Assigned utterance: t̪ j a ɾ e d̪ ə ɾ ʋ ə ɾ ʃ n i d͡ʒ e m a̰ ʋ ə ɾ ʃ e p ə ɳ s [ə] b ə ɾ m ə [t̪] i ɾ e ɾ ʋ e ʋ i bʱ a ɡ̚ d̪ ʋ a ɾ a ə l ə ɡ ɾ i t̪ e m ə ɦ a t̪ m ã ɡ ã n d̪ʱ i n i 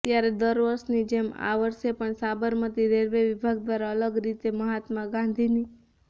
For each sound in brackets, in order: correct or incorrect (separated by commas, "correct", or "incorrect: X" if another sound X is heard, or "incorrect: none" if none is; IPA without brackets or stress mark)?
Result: incorrect: a, correct